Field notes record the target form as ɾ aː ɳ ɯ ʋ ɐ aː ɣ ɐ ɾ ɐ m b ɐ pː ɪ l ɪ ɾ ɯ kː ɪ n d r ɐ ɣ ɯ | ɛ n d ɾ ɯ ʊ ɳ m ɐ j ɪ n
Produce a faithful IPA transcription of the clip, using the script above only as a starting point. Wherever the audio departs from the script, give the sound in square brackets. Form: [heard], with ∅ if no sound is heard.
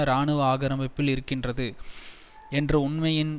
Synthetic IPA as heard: ɾ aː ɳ ɯ ʋ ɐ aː ɣ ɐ ɾ ɐ m b ɐ pː ɪ l ɪ ɾ ɯ kː ɪ n d r ɐ [ð] ɯ | ɛ n d [r] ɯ ʊ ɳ m ɐ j ɪ n